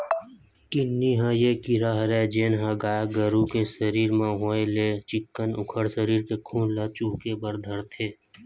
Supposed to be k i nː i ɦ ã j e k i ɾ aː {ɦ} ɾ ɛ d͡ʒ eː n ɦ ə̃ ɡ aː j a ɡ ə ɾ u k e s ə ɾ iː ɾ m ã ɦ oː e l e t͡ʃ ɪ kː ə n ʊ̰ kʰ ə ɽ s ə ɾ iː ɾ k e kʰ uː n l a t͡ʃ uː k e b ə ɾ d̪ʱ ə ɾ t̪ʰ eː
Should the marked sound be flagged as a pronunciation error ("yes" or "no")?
no